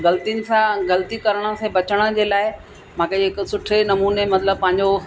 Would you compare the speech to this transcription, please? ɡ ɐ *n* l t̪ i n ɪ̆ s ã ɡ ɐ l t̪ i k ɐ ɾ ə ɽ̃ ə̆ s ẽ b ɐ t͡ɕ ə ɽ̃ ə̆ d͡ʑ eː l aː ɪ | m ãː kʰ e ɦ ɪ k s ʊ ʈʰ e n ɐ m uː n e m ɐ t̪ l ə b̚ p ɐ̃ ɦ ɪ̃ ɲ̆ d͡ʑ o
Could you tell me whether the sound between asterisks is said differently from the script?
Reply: yes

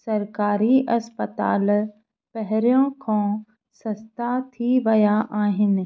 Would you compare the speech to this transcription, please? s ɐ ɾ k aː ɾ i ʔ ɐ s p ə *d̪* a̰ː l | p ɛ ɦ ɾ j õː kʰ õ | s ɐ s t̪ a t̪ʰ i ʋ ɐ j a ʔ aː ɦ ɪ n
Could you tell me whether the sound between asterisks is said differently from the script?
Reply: yes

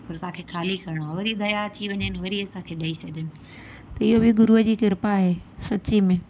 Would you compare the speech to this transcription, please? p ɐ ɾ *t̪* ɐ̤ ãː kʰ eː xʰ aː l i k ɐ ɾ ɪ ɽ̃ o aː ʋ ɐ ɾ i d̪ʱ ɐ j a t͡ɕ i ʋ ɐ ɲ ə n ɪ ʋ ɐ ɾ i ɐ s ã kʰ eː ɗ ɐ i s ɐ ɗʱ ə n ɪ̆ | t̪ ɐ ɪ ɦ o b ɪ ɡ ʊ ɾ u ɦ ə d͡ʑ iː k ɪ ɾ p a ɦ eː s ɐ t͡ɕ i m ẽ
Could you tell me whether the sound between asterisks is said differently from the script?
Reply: no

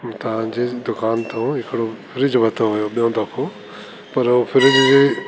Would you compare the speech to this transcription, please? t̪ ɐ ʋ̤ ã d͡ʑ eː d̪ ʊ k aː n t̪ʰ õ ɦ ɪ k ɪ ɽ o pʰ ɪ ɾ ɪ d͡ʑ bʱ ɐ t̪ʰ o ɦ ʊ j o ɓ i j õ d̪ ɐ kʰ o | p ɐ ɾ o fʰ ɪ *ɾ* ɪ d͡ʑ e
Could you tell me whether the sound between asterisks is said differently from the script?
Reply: no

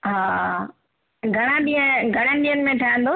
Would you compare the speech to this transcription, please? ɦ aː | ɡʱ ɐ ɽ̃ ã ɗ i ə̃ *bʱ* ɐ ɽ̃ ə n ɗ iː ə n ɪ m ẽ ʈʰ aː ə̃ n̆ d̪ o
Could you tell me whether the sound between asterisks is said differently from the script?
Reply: yes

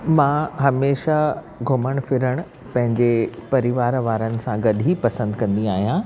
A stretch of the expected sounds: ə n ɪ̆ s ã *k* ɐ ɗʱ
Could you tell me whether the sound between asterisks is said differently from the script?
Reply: yes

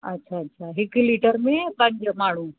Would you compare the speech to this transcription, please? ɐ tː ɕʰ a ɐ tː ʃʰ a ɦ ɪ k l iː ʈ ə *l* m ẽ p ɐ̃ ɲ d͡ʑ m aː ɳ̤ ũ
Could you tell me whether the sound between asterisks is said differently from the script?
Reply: yes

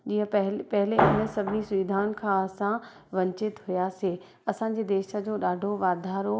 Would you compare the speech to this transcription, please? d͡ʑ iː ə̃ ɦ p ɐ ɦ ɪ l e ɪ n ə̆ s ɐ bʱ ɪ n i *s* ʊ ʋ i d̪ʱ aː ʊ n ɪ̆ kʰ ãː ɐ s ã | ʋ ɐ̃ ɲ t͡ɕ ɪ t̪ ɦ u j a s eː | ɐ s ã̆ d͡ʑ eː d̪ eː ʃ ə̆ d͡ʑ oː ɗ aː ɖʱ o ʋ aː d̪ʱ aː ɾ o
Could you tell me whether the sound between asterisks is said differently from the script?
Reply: no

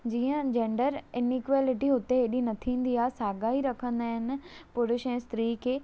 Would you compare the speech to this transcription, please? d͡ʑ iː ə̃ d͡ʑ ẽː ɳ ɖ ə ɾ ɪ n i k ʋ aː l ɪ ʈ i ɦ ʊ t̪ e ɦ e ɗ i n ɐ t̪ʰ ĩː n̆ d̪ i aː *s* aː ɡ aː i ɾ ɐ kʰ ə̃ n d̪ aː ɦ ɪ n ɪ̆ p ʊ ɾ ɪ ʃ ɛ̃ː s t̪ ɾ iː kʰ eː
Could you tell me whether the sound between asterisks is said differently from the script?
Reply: no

